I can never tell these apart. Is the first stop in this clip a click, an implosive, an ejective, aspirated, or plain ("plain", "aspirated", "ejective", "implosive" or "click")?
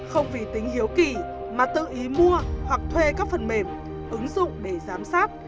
plain